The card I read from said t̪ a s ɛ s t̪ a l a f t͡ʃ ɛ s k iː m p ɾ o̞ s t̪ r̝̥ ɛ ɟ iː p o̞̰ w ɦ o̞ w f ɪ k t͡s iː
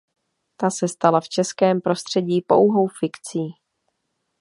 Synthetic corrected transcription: t̪ a s ɛ s t̪ a l a f t͡ʃ ɛ s k ɛː m p ɾ o̞ s t̪ r̝̥ ɛ ɟ iː p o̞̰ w ɦ o̞ w f ɪ k t͡s iː